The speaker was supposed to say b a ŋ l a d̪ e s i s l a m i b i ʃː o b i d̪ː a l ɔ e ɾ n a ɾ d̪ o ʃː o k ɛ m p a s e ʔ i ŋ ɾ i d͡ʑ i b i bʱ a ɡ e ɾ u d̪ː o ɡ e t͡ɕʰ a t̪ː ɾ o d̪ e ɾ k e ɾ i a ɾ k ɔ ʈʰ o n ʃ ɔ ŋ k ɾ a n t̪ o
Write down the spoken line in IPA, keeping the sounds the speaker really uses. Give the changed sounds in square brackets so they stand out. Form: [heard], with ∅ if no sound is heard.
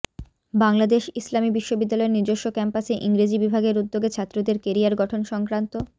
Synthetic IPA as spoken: b a ŋ l a d̪ e [ʃ] i s l a m i b i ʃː o b i d̪ː a l ɔ e ɾ n [i] ɾ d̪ o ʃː o k ɛ m p a s e ʔ i ŋ ɾ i d͡ʑ i b i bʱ a ɡ e ɾ u d̪ː o ɡ e t͡ɕʰ a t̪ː ɾ o d̪ e ɾ k e ɾ i a ɾ [ɡ] ɔ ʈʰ o n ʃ ɔ ŋ k ɾ a n t̪ o